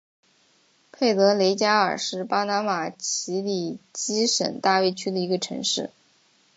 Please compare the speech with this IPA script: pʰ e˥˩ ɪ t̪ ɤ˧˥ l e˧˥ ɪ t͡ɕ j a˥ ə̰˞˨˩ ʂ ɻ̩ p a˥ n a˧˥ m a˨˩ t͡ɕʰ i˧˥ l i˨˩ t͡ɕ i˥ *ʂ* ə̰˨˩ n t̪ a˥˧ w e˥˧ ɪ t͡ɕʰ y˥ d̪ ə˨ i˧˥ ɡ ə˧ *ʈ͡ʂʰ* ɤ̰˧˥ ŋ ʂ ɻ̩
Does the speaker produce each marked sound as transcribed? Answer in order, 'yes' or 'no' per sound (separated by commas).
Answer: yes, yes